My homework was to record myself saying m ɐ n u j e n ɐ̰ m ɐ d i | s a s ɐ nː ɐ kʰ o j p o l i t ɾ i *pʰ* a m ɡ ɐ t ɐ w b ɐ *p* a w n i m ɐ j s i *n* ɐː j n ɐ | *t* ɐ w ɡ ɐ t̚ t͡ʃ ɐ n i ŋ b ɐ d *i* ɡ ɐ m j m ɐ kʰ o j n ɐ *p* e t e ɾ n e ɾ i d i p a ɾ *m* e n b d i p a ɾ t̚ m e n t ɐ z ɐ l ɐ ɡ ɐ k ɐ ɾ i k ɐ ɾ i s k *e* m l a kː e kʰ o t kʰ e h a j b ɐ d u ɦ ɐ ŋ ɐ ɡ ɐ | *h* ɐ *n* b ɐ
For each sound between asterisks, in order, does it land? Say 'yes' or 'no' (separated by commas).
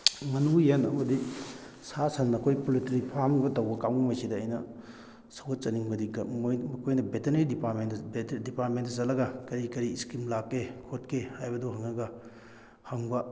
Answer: yes, no, no, no, yes, no, yes, no, yes, no